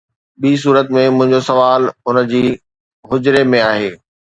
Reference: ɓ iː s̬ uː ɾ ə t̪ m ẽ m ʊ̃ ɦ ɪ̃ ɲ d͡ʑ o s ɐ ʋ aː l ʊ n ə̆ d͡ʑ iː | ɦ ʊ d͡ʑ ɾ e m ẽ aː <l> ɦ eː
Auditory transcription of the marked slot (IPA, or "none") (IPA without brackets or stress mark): none